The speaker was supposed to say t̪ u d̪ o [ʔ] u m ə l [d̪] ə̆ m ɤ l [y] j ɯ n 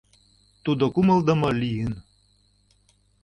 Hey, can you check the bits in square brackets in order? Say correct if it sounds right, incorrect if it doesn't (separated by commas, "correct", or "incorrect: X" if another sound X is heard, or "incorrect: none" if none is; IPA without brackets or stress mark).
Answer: incorrect: k, correct, incorrect: i